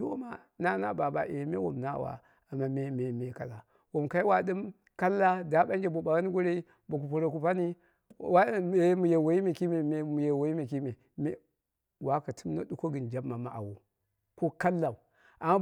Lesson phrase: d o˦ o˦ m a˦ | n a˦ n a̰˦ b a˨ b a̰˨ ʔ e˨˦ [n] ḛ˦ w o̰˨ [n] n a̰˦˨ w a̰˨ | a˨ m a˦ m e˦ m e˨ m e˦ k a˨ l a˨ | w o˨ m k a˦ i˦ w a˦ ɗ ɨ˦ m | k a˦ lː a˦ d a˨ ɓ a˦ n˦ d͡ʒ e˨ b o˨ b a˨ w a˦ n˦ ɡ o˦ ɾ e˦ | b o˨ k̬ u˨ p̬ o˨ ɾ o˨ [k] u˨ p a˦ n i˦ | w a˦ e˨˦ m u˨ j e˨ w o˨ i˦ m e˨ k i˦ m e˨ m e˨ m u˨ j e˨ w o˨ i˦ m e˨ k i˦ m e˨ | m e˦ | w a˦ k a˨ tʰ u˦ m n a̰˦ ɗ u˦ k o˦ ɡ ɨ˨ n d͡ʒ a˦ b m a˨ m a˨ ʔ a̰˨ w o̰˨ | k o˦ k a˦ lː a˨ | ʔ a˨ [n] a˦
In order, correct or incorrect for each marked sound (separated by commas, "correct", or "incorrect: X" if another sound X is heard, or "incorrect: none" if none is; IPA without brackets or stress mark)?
incorrect: m, incorrect: m, correct, incorrect: m